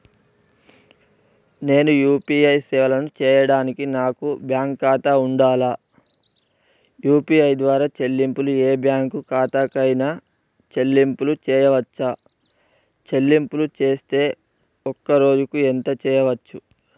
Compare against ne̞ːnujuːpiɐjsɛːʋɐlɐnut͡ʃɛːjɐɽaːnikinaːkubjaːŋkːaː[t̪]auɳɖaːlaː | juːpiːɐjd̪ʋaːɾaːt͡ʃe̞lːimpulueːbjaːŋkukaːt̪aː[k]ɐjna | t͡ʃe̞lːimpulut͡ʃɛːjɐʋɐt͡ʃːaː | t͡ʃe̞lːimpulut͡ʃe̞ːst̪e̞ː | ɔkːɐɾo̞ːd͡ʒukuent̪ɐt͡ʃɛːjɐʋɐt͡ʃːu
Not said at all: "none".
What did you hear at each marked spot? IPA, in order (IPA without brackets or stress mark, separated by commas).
t̪, k